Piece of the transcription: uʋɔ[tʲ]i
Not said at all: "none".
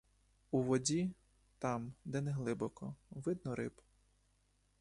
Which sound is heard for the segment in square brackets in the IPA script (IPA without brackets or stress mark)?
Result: dʲ